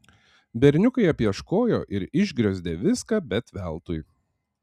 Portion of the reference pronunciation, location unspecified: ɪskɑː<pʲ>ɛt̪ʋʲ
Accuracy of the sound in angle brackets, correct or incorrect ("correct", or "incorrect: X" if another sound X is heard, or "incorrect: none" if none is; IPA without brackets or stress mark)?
incorrect: bʲ